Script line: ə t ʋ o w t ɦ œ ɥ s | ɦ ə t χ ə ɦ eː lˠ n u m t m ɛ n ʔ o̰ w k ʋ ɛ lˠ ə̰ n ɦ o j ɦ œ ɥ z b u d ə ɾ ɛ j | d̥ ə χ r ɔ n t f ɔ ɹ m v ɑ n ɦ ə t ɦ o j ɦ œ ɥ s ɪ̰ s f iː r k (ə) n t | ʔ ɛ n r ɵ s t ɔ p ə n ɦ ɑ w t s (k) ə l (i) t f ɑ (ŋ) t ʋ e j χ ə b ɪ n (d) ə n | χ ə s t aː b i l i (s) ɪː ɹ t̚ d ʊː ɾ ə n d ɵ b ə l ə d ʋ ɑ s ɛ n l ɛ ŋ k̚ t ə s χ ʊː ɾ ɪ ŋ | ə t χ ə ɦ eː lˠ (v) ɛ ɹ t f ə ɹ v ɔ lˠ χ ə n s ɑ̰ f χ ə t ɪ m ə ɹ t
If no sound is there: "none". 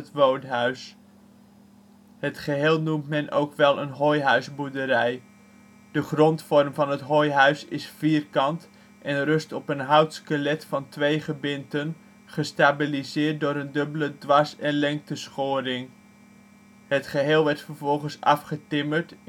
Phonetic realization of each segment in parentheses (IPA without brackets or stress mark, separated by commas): ɑ, k, ɛ, n, t, z, ʋ